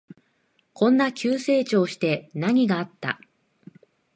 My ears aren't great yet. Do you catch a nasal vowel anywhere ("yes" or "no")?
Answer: yes